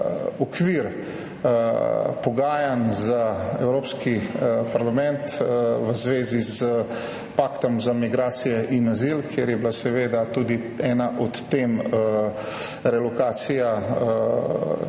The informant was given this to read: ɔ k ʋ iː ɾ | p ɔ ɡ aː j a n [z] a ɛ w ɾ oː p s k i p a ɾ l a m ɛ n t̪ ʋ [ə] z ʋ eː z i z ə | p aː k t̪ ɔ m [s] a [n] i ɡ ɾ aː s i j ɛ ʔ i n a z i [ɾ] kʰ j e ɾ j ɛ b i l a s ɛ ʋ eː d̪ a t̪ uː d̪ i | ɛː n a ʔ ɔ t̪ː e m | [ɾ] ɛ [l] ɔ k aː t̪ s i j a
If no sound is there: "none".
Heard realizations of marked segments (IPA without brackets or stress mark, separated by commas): z, ə, z, m, l, ɾ, l